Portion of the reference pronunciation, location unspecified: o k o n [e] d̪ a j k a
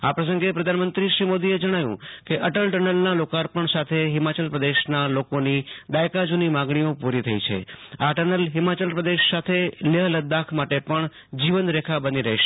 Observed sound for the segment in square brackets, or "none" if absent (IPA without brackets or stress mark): i